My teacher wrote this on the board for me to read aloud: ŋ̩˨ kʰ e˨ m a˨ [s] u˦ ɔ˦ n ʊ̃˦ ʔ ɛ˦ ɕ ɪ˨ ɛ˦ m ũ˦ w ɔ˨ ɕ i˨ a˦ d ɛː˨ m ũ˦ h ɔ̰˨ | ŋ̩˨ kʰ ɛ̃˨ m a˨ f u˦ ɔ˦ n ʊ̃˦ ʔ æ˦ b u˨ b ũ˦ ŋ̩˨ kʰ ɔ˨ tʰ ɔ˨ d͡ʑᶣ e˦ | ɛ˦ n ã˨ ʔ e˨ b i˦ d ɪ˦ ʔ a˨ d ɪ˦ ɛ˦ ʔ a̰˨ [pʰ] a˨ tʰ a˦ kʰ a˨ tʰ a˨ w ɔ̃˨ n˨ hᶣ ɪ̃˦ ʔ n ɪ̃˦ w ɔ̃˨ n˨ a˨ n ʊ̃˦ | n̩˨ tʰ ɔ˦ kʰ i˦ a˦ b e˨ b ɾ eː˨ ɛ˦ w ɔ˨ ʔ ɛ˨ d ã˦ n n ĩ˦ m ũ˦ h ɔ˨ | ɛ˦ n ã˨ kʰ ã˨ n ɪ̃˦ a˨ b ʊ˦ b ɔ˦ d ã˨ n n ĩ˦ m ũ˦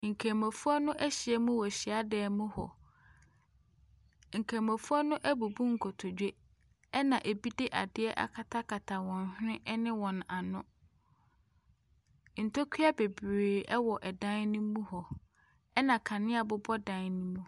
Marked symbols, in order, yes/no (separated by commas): no, no